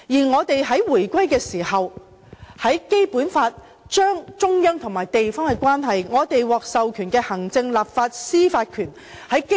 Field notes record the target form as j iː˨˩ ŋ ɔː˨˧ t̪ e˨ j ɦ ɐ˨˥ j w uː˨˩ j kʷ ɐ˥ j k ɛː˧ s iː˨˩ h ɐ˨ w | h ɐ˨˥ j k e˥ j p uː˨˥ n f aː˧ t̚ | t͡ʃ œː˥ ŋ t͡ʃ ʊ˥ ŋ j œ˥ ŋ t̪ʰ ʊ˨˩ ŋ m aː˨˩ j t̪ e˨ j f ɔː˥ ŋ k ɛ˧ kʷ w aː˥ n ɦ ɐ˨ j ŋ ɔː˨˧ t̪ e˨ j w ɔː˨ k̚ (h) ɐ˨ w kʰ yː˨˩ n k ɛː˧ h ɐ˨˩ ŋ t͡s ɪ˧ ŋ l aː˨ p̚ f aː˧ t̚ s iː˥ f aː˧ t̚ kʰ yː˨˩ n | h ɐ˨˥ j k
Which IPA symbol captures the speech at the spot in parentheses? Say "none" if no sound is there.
s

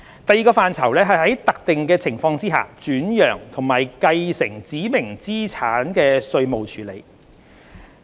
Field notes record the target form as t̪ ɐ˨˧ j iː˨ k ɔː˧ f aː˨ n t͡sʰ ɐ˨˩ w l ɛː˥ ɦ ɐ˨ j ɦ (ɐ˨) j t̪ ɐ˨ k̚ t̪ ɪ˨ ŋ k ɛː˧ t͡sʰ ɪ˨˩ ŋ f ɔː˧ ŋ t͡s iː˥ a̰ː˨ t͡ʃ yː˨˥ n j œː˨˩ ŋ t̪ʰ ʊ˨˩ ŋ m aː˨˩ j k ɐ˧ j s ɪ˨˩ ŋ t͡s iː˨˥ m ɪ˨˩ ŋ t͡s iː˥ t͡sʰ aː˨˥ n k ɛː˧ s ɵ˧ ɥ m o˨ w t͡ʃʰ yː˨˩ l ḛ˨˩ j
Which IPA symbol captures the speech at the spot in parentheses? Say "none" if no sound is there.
ɐ˨˥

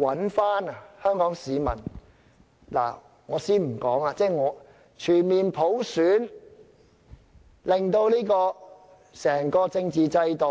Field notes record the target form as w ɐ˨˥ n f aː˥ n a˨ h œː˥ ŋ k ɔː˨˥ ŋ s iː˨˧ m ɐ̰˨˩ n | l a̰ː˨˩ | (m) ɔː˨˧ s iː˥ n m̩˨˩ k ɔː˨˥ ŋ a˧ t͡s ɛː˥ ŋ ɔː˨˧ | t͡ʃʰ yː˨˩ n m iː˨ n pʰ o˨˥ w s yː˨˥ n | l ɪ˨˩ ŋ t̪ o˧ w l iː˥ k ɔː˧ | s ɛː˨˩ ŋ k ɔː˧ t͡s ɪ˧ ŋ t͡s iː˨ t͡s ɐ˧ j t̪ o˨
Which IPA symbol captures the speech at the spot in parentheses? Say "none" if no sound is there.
ŋ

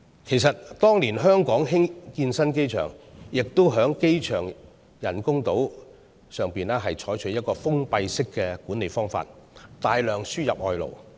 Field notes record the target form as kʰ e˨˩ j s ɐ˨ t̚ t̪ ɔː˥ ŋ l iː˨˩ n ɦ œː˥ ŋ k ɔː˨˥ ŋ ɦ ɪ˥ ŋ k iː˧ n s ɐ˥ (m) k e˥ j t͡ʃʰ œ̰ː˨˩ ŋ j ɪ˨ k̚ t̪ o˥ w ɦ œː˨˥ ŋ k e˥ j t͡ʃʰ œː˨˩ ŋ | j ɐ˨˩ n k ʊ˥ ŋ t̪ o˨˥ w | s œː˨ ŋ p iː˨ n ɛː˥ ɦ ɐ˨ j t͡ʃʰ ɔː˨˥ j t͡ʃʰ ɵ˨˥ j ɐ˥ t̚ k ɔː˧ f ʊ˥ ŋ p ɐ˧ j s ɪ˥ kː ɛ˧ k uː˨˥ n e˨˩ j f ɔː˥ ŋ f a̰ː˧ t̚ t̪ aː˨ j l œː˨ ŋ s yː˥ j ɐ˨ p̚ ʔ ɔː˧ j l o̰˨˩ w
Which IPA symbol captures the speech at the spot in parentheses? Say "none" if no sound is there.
n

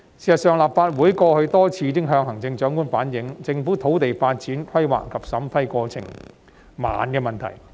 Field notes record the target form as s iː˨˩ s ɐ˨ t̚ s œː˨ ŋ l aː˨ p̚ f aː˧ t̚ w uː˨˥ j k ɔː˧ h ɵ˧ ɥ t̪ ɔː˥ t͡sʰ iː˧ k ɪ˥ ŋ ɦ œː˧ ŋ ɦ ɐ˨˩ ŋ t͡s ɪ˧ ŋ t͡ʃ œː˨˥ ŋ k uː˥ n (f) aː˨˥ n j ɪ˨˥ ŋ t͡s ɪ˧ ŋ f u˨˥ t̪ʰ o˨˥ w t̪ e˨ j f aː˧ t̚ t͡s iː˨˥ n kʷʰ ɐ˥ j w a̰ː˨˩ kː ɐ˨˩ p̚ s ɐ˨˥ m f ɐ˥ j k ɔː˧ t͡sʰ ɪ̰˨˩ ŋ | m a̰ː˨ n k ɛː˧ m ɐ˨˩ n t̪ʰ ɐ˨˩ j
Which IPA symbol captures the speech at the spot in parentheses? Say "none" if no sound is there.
f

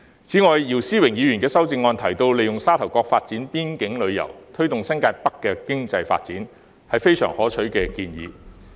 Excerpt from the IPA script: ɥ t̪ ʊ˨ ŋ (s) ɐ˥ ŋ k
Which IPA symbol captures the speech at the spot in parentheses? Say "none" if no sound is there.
s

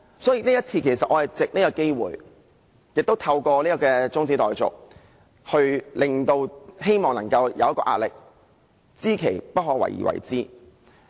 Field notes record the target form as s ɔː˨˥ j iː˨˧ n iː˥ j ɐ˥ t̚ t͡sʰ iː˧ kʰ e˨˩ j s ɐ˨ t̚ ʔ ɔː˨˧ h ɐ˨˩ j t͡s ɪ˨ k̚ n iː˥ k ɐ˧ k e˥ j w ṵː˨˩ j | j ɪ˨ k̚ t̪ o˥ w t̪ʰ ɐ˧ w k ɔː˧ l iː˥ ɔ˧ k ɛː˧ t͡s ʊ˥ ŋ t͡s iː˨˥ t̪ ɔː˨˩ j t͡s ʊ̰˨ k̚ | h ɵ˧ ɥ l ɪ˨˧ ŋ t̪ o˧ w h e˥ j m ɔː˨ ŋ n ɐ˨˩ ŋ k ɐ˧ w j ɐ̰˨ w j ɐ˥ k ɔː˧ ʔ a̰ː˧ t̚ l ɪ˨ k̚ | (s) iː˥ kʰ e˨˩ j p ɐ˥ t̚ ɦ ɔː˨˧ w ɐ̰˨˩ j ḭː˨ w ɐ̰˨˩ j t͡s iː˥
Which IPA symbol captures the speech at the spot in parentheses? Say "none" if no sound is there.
t͡s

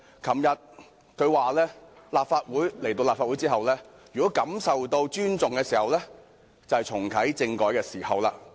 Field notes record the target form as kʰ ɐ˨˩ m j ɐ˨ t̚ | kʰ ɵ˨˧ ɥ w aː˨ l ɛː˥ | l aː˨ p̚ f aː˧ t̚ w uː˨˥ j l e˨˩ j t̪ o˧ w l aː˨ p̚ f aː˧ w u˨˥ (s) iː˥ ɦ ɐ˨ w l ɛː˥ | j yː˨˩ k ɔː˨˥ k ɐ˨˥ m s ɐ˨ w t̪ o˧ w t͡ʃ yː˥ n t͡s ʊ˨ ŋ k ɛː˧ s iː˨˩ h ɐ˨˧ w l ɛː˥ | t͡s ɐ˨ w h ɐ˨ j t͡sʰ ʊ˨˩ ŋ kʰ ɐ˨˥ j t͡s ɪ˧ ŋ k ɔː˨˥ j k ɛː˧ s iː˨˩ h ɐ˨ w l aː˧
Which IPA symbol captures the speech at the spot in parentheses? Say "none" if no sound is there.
t͡s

